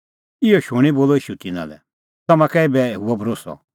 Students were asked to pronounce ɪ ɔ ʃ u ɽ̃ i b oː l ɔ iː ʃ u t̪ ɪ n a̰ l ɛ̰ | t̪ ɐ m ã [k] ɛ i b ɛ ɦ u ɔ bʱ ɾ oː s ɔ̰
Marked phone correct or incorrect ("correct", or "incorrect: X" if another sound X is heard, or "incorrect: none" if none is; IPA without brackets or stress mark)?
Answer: correct